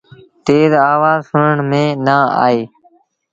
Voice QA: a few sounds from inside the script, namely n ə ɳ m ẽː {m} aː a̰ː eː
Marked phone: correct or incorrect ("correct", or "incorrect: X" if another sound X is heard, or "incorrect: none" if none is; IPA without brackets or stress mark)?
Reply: incorrect: n